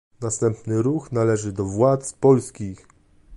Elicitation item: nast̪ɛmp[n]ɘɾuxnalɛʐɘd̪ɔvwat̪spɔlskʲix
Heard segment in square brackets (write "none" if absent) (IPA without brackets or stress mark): n